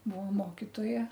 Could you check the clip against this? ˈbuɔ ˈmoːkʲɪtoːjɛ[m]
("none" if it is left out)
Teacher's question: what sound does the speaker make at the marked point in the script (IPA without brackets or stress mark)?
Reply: none